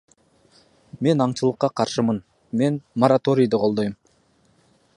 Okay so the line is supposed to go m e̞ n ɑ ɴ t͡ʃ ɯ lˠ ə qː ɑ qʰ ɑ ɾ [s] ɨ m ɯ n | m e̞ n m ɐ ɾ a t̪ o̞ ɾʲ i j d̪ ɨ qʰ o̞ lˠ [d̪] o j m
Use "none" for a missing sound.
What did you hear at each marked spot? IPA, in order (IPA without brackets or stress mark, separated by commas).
ʃ, d̪